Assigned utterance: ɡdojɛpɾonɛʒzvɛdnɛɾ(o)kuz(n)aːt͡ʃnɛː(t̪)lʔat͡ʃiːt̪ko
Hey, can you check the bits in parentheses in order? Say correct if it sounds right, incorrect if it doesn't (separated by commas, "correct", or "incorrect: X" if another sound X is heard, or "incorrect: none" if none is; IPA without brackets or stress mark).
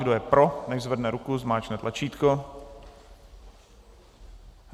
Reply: incorrect: u, incorrect: m, correct